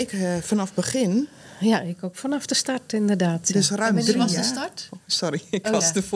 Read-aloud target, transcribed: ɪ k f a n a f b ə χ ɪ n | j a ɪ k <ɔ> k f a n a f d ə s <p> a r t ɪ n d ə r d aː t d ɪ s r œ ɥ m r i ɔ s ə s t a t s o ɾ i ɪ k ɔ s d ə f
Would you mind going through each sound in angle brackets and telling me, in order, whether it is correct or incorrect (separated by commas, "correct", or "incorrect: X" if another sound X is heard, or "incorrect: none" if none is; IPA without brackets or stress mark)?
incorrect: o, incorrect: t